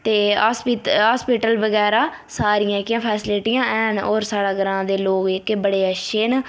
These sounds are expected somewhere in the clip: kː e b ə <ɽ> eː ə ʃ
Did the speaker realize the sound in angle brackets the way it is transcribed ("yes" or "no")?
yes